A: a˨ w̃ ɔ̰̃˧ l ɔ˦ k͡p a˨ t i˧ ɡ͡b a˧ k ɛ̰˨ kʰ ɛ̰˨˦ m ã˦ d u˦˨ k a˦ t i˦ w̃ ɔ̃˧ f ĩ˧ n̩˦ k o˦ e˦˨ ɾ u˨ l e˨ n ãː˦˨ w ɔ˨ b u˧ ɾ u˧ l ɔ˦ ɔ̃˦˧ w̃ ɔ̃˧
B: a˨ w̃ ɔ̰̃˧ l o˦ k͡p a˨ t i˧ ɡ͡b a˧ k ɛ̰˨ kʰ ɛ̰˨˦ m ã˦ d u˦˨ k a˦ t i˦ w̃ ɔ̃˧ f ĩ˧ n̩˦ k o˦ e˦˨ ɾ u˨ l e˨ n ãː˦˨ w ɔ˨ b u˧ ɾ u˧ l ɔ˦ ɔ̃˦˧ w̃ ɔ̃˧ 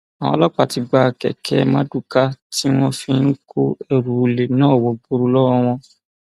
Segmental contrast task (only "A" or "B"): A